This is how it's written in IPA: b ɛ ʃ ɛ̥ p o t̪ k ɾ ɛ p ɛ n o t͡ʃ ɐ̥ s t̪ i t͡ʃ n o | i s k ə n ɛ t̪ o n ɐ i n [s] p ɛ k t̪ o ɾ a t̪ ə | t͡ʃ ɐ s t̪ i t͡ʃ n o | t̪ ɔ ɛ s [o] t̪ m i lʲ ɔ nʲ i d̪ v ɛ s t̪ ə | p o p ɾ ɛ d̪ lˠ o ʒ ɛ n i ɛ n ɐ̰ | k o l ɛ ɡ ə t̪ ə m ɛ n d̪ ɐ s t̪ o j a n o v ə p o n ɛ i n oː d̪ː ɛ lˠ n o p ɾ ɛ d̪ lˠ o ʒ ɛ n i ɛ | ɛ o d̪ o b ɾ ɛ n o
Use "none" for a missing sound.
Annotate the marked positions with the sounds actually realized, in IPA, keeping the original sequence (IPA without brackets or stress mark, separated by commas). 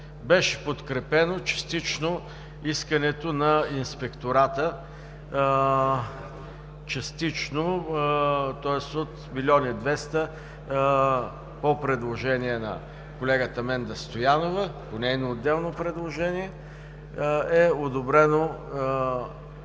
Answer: s, o